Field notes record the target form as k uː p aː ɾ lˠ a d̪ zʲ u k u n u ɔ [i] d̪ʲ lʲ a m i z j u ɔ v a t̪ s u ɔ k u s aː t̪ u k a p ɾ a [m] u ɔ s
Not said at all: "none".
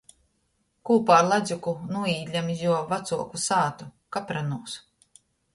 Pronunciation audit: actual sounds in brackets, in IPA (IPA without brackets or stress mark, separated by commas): iː, n